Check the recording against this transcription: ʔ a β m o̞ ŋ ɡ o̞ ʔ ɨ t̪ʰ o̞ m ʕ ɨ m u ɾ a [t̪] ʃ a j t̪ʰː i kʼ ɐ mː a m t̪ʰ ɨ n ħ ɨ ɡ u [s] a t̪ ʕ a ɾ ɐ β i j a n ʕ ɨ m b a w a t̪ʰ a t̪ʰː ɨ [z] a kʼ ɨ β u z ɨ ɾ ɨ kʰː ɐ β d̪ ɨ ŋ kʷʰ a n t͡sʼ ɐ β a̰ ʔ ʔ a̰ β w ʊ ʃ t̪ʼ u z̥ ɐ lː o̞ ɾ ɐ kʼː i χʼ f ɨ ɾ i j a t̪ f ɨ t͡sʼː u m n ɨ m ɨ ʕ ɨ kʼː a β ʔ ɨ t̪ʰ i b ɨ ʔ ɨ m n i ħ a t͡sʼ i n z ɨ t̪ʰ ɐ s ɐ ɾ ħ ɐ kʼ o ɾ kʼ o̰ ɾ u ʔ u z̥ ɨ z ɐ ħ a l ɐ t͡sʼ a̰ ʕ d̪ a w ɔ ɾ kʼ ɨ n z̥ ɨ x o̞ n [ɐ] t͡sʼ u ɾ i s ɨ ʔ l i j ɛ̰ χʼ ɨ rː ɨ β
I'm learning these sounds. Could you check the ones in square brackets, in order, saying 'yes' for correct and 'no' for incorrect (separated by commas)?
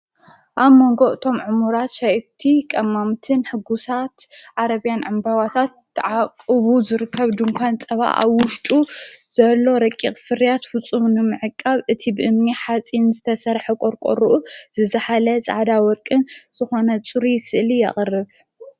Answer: yes, yes, no, yes